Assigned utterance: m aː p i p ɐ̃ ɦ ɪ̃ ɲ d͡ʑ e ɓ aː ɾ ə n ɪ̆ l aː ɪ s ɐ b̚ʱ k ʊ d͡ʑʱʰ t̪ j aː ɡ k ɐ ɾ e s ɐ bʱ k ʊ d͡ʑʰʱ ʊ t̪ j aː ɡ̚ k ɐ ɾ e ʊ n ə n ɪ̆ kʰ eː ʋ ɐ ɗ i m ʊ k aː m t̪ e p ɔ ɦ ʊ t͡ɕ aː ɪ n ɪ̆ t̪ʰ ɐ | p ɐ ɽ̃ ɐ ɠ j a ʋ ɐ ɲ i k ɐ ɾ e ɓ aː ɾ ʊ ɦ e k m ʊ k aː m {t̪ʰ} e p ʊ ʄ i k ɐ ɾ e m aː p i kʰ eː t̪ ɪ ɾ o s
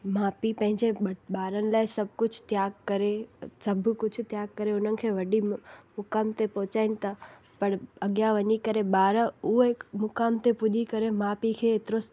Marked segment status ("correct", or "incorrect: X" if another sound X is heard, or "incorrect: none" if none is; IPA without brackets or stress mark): incorrect: t̪